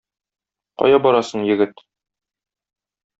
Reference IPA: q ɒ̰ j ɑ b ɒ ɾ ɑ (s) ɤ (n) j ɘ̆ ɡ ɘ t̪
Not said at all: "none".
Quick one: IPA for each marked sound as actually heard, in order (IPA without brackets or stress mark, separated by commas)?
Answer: s, ɴ